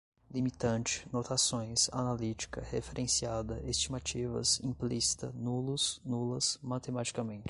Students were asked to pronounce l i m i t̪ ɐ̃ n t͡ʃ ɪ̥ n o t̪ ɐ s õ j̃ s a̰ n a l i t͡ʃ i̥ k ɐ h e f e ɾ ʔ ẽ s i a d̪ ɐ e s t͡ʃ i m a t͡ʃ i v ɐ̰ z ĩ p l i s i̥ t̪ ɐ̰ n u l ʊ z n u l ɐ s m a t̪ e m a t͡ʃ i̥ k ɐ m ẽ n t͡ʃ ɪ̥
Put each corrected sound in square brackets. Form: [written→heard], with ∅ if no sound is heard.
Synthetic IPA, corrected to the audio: l i m i t̪ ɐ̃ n t͡ʃ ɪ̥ n o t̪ [ɐ→a] s õ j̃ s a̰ n a l i t͡ʃ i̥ k ɐ h e f e ɾ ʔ ẽ s i a d̪ ɐ e s t͡ʃ i m a t͡ʃ i v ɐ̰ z ĩ p l i s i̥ t̪ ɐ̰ n u l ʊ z n u l ɐ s m a t̪ e m a t͡ʃ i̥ k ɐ m ẽ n t͡ʃ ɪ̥